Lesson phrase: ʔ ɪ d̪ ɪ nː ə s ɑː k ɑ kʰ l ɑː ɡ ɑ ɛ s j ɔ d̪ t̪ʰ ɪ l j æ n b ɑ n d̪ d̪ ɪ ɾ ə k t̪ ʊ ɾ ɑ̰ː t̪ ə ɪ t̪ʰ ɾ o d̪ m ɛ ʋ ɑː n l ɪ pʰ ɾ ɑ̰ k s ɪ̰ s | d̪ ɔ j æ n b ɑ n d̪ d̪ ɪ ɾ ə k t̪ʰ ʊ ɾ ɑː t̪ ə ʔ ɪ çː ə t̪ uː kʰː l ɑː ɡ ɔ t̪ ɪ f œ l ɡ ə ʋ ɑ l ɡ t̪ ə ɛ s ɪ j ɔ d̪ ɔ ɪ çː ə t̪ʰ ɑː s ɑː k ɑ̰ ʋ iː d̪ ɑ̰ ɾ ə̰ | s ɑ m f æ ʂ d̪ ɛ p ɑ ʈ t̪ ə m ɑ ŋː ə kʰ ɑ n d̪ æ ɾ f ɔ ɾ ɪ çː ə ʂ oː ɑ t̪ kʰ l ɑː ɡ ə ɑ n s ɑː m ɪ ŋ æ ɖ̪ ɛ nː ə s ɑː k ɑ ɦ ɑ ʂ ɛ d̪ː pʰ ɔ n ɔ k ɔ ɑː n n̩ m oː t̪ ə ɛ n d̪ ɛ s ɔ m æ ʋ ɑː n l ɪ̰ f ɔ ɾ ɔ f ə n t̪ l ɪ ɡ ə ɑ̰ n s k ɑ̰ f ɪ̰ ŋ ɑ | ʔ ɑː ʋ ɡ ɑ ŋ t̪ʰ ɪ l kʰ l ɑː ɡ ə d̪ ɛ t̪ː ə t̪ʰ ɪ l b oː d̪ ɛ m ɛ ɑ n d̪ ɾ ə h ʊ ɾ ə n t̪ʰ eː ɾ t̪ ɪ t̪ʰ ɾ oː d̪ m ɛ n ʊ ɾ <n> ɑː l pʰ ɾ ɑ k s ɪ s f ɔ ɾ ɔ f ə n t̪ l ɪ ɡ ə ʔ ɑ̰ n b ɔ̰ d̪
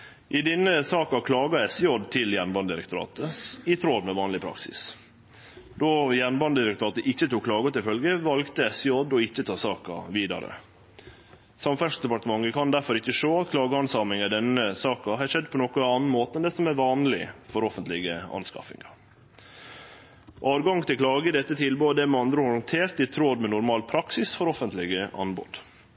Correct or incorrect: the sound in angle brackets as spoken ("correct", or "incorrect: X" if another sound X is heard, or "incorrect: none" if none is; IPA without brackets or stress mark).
incorrect: m